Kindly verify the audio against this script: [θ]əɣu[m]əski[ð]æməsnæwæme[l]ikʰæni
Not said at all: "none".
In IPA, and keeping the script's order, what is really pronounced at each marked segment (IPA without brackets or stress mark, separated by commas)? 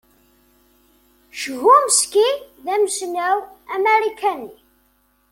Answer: ʃ, m, ð, ɾ